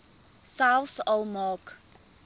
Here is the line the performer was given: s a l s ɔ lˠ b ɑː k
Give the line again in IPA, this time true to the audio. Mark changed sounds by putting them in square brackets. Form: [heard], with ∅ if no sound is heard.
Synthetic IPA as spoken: s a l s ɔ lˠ [m] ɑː k